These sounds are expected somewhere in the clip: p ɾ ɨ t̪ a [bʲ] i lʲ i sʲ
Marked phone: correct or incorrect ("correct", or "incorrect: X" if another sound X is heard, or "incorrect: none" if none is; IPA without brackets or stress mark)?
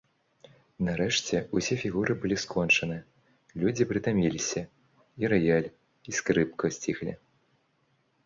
incorrect: mʲ